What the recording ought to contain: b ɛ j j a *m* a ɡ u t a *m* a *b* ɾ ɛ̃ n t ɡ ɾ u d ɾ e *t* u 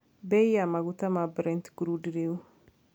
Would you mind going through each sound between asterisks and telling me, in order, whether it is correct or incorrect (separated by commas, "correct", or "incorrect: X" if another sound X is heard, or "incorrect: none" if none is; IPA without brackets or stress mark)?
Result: correct, correct, correct, incorrect: none